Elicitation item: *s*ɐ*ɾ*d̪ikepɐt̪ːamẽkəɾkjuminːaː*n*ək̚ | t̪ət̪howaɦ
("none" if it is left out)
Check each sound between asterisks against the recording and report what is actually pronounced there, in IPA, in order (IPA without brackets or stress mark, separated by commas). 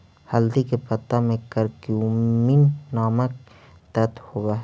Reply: h, l, m